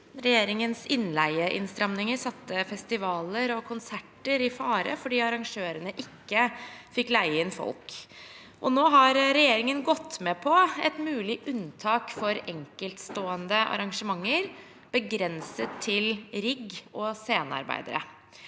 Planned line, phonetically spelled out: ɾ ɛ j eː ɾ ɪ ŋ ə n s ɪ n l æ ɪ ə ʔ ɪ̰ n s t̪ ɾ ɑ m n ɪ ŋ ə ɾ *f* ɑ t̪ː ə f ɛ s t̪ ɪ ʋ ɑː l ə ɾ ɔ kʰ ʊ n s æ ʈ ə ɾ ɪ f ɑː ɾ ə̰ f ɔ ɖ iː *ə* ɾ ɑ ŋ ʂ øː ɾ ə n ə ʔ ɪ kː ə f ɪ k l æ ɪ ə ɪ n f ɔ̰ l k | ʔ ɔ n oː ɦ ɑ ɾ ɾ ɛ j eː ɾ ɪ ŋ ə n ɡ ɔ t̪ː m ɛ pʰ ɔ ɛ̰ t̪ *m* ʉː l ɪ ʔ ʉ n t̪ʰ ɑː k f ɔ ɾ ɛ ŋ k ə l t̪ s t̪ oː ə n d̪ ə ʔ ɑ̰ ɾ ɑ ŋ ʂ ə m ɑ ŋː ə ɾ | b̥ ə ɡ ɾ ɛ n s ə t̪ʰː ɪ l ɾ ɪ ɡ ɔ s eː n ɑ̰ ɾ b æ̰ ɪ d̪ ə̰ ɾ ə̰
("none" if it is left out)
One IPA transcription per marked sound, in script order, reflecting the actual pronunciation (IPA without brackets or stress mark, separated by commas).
s, ɑ, m